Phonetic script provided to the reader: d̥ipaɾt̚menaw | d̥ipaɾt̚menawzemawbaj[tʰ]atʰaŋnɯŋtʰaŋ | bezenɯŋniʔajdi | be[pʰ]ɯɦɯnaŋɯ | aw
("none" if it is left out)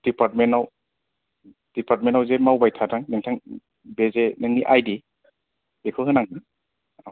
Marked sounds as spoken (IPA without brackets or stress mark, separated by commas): tʰ, kʰ